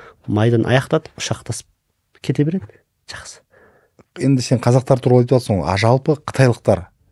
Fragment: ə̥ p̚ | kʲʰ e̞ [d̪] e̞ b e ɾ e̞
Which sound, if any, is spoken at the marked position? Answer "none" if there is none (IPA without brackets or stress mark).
t̪